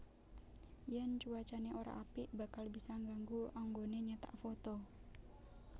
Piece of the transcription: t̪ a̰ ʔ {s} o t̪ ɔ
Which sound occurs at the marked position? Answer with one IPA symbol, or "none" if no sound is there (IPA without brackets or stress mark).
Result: f